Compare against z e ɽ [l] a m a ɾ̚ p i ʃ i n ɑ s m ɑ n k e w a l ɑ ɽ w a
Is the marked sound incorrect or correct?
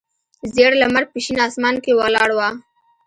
correct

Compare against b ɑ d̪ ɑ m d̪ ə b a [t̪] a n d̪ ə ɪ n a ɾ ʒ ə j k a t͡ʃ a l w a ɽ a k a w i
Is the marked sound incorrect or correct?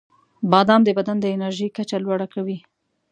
incorrect: d̪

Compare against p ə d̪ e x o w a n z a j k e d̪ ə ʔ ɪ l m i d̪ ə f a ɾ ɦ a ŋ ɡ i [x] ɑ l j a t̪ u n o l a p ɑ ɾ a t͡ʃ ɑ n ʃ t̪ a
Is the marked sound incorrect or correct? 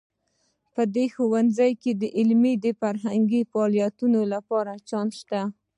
incorrect: f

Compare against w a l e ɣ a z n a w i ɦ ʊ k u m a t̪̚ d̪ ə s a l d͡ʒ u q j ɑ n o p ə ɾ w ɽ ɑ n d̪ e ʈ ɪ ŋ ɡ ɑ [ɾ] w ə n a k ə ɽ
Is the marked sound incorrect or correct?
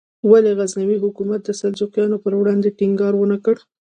correct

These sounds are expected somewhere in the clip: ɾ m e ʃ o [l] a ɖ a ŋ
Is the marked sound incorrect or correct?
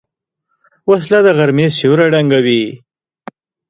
incorrect: ɾ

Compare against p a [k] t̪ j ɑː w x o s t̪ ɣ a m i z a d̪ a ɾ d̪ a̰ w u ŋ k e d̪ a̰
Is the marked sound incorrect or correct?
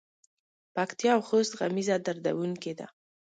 correct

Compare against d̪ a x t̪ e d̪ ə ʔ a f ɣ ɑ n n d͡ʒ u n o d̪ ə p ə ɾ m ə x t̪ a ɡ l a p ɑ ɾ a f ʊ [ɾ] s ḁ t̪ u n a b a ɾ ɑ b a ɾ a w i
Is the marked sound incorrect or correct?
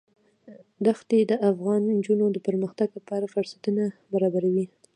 correct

